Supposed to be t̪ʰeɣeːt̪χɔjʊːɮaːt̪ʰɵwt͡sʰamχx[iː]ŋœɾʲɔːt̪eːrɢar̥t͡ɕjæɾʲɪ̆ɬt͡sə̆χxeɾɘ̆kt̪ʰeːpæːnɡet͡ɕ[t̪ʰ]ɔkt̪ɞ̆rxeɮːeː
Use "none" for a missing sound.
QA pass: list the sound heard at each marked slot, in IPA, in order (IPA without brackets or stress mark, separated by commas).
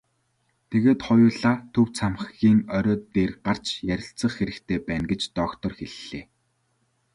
iː, t̪